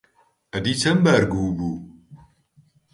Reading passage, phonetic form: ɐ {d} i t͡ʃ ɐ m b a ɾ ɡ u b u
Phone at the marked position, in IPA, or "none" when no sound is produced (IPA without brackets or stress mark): d